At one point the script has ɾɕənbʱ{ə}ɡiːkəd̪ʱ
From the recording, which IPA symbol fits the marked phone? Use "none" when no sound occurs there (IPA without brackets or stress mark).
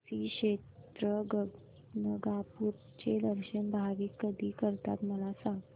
a